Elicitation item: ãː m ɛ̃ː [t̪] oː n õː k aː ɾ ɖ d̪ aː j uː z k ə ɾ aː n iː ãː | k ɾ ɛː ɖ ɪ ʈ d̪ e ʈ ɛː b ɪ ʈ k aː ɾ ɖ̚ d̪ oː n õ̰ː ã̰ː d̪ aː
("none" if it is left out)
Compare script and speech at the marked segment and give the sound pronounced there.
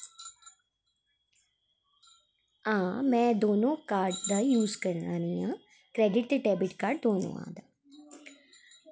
d̪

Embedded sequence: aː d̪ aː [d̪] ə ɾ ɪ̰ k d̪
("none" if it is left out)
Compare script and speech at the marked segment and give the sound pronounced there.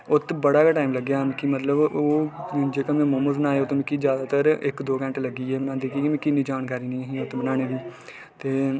t̪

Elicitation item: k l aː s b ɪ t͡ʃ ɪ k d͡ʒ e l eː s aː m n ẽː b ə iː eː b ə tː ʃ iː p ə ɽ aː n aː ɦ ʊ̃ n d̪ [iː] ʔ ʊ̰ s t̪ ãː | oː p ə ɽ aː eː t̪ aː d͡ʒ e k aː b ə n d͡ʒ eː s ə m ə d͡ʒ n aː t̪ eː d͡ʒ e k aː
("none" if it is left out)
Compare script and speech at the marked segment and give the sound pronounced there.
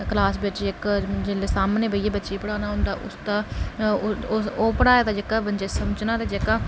aː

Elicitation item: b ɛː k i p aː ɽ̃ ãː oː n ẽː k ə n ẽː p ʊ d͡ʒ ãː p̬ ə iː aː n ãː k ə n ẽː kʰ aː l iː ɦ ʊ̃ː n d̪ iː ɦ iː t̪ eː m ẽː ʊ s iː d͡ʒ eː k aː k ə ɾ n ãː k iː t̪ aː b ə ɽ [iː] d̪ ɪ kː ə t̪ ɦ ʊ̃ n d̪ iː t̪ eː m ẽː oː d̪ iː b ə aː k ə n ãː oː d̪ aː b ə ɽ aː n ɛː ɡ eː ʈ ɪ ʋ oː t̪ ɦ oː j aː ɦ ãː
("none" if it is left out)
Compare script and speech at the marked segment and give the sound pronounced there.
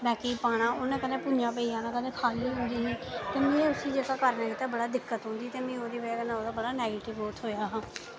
aː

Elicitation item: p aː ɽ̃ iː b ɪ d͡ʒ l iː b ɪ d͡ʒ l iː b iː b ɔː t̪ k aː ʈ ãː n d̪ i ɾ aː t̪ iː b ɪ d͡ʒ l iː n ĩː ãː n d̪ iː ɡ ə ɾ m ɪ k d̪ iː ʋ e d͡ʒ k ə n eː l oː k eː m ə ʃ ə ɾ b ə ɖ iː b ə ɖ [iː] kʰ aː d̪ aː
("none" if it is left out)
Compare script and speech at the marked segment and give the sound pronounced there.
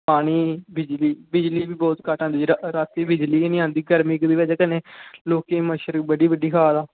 iː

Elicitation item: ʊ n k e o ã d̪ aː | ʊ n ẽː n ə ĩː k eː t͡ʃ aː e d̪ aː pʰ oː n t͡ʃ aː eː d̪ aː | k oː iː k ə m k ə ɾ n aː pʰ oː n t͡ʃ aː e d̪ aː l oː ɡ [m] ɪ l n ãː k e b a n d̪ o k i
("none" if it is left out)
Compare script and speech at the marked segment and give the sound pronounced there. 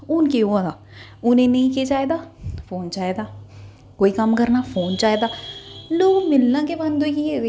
m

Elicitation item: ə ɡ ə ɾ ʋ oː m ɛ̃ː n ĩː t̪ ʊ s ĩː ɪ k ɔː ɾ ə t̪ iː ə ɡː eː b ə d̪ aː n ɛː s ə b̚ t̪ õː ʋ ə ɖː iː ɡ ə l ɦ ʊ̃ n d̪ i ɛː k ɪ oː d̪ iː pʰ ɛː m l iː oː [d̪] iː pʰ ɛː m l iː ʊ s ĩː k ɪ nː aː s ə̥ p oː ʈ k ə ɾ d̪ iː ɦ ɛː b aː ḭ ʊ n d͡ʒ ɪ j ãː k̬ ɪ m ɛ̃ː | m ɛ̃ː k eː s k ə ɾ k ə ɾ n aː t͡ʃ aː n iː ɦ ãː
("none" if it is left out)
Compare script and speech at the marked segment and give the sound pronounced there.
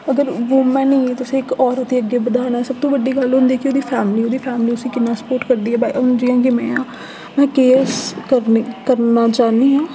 d̪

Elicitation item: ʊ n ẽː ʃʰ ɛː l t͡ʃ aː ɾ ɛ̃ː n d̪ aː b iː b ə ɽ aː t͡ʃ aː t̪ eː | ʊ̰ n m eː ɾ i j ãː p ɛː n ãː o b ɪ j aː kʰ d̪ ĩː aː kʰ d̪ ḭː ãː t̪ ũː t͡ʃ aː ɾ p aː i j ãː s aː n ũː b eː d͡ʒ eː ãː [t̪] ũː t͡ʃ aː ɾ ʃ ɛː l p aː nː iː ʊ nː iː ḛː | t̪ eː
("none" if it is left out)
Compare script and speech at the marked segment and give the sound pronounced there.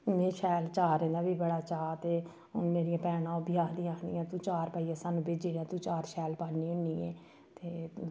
t̪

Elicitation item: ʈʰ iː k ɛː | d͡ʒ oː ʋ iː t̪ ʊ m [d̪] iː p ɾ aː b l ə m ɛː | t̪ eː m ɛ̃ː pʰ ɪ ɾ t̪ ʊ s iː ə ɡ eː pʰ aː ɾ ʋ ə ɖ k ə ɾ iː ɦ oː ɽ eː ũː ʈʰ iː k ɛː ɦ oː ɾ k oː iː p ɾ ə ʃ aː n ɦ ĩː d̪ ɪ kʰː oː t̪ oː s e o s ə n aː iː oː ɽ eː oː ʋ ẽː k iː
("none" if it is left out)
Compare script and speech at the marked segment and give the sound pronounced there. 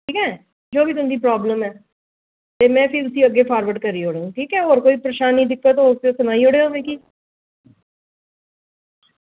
d̪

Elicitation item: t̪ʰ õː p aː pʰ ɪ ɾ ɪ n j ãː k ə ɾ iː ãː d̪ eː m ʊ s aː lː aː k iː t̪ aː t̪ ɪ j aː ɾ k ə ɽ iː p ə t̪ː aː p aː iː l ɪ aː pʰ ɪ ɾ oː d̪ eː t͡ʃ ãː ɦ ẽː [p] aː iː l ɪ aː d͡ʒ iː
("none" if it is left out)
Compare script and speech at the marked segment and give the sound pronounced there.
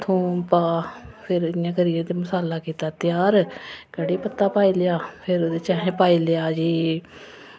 p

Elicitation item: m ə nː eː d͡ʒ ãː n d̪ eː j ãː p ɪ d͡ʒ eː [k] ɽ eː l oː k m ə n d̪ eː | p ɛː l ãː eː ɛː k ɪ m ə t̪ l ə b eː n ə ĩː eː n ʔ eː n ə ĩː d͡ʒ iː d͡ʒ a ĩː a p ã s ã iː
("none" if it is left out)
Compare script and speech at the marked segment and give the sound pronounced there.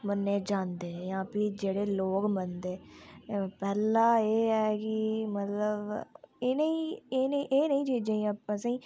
none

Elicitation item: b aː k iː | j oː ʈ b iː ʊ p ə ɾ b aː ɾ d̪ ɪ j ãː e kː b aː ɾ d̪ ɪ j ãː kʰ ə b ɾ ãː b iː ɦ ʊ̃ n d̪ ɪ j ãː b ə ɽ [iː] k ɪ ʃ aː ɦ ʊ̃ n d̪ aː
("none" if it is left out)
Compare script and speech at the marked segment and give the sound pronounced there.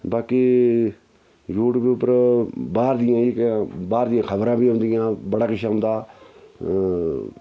aː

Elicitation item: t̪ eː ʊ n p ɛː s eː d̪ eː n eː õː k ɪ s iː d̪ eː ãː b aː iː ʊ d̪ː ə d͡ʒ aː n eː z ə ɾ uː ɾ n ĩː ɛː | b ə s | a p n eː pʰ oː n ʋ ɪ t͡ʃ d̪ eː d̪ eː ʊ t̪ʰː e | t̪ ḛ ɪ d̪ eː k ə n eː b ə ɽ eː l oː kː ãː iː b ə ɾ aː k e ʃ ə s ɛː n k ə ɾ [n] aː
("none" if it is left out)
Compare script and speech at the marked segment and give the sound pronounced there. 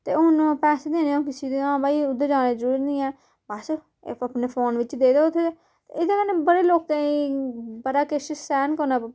n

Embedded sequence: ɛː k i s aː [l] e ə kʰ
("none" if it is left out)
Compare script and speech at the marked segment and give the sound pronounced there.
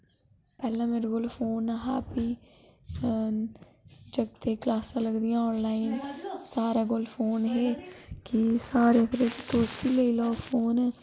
ɾ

